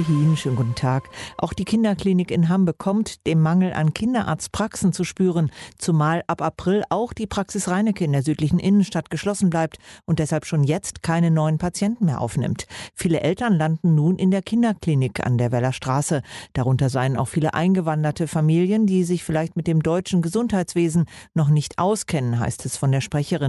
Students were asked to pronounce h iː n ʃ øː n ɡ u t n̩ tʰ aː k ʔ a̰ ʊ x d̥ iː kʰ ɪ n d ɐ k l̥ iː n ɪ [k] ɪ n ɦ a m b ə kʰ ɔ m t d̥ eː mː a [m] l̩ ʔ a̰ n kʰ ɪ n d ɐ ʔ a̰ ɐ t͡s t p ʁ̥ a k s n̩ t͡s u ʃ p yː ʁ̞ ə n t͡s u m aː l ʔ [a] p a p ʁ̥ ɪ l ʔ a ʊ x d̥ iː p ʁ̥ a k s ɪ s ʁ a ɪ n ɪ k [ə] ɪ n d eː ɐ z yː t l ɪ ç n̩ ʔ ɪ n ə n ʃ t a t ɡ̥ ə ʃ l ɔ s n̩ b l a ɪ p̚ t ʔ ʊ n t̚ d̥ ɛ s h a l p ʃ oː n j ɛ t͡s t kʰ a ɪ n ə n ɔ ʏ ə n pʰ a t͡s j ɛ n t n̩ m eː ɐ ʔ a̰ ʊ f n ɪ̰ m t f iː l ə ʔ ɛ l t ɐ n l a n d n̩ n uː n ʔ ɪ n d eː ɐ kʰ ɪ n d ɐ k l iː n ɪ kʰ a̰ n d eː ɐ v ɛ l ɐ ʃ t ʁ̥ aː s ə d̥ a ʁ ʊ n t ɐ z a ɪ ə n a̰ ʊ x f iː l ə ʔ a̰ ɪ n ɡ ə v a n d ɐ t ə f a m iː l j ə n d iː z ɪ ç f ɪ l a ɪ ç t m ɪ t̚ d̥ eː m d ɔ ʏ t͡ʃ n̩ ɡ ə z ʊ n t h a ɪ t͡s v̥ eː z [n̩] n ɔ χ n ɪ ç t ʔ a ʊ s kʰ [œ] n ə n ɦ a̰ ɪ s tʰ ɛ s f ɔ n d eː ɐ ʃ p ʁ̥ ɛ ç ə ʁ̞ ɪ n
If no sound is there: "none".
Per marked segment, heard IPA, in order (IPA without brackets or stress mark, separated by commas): k, ŋ, a, ə, n̩, ɛ